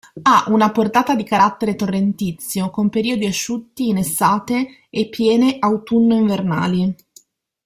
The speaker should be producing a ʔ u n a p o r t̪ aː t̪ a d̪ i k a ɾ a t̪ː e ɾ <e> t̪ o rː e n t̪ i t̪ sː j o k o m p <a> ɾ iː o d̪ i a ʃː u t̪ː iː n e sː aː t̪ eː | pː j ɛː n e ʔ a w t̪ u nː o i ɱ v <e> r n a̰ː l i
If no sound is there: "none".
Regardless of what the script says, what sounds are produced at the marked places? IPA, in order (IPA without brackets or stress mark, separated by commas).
e, e, e